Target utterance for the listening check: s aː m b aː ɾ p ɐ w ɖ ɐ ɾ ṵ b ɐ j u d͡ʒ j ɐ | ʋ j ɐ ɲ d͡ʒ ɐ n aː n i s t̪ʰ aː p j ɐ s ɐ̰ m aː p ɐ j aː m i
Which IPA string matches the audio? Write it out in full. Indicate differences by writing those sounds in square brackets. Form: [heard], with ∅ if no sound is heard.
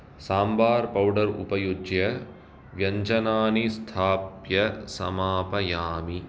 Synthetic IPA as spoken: s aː m b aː ɾ p ɐ w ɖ ɐ ɾ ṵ [p] ɐ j u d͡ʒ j ɐ | ʋ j ɐ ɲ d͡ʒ ɐ n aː n i s t̪ʰ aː p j ɐ s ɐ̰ m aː p ɐ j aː m i